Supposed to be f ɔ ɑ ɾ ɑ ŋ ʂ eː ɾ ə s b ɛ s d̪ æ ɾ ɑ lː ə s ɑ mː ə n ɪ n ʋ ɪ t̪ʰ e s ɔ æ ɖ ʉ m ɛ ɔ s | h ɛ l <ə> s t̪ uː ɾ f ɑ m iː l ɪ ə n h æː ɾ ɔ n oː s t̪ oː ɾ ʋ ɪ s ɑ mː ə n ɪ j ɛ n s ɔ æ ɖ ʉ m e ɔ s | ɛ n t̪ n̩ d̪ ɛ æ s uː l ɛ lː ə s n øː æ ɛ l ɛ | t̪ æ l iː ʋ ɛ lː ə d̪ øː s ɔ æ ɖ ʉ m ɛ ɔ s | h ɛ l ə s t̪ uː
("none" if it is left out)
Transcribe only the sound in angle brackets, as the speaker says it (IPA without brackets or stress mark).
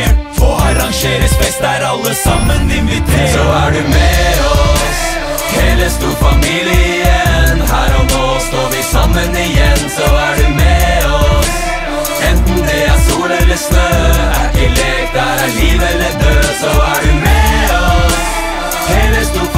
ə